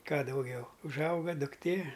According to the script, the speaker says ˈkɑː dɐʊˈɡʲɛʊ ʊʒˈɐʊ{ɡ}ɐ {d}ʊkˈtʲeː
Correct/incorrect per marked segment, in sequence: correct, correct

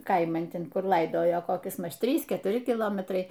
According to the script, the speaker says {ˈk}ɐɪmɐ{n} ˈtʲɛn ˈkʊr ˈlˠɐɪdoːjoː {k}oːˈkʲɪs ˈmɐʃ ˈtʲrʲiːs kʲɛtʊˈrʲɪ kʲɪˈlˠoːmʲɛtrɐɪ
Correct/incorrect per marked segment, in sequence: correct, correct, correct

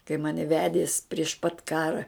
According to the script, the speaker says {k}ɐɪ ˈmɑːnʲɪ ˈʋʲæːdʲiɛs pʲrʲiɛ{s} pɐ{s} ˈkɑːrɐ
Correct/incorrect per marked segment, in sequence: correct, incorrect: ʃ, incorrect: t

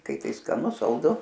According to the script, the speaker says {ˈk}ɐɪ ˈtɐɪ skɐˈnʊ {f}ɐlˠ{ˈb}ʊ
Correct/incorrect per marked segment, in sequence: correct, incorrect: s, incorrect: d

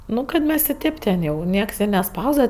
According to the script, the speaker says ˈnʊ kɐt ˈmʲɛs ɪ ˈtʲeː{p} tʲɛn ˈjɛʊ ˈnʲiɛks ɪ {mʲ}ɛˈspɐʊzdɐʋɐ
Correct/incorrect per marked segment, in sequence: correct, incorrect: nʲ

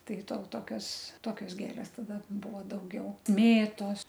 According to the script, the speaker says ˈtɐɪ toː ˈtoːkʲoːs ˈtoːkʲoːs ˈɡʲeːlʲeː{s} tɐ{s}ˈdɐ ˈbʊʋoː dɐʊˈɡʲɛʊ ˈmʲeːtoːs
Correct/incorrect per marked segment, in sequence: correct, incorrect: none

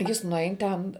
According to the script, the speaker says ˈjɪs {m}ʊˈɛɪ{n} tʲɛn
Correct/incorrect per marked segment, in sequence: incorrect: n, correct

